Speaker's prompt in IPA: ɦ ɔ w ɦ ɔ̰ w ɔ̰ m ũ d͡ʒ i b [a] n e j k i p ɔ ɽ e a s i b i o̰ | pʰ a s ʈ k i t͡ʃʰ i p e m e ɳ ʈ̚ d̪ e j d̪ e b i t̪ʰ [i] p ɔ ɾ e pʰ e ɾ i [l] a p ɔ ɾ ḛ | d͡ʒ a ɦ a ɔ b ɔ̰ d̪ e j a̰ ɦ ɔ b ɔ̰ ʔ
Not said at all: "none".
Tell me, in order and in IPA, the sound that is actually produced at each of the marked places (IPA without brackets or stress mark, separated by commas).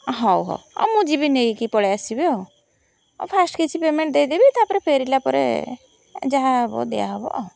i, a, l